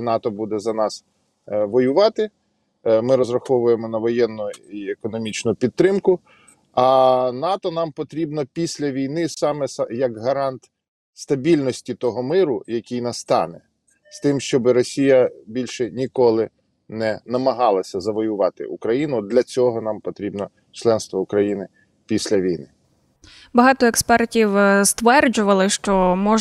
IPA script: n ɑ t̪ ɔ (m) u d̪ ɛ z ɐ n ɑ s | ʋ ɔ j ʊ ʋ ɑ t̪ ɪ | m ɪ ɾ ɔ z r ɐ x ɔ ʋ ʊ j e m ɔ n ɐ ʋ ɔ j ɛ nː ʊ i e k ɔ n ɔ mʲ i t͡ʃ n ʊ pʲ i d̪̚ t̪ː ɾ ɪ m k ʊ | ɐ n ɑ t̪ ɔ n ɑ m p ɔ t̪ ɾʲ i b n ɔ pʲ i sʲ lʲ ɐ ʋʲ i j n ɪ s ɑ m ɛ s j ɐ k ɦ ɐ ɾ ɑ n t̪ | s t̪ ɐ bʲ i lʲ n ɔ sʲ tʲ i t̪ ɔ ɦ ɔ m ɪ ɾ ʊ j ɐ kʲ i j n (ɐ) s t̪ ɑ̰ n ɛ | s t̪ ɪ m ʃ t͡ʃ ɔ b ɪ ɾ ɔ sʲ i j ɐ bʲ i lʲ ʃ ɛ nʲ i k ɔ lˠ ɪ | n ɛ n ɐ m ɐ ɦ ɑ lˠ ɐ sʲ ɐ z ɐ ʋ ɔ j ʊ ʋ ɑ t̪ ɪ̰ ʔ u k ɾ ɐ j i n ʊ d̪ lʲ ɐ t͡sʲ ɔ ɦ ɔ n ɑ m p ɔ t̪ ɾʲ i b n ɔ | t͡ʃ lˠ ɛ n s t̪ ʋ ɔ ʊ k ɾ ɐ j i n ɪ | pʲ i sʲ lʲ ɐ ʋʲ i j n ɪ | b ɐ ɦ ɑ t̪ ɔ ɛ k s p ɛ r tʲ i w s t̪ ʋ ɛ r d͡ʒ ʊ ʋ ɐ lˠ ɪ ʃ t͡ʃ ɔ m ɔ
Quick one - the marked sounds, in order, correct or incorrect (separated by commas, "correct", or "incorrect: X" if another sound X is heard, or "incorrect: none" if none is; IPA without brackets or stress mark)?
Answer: incorrect: b, correct